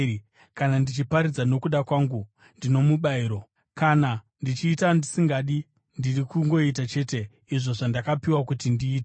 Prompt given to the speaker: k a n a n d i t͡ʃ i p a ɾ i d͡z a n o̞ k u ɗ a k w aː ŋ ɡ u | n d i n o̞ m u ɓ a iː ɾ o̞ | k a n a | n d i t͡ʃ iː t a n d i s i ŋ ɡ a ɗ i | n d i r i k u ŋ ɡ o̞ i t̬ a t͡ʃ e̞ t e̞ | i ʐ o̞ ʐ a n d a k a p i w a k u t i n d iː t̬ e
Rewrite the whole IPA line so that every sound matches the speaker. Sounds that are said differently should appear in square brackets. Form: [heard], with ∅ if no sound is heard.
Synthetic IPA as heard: k a n a n d i t͡ʃ i p a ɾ i d͡z a n o̞ k u ɗ a k w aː ŋ ɡ u | n d i n o̞ m u ɓ a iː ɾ o̞ | k a n a | n d i t͡ʃ iː t a n d i s i ŋ ɡ a ɗ i | n d i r i k u ŋ ɡ o̞ i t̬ a t͡ʃ e̞ t e̞ | i ʐ o̞ ʐ a n d a k a p i w a k u t i n d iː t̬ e